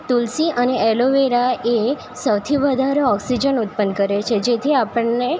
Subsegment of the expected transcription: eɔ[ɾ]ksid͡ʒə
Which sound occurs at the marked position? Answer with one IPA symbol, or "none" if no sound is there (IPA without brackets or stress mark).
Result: none